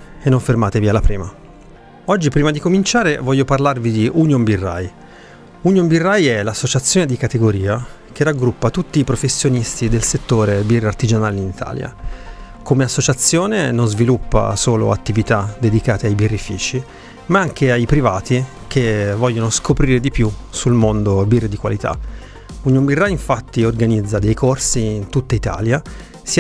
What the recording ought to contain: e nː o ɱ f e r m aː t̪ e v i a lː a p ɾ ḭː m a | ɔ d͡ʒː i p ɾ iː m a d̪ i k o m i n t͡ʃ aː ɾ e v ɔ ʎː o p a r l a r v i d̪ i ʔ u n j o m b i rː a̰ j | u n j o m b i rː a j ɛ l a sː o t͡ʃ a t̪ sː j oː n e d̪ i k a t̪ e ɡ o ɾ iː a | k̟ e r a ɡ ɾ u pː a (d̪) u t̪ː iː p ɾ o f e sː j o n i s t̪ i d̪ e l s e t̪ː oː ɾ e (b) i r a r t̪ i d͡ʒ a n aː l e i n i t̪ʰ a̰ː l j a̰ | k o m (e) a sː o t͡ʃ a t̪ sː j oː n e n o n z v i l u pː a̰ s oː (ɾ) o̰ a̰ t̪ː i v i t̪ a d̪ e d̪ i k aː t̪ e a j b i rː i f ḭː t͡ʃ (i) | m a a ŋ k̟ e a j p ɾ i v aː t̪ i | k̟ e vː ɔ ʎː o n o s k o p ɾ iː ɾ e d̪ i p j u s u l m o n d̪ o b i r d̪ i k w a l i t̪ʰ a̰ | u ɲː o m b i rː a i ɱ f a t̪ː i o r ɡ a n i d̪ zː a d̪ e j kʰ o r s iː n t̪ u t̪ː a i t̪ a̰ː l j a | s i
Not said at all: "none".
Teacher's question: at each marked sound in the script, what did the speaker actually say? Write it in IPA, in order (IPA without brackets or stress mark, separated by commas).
t̪, b, e, l, i